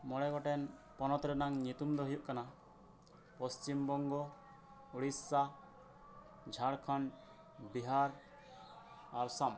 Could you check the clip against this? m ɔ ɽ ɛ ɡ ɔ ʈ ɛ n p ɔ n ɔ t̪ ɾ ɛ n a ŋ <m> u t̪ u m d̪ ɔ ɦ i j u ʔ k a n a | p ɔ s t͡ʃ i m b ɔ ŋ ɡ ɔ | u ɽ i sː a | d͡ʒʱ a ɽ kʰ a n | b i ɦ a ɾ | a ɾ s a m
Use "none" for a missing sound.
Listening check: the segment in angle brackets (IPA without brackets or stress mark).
ɲ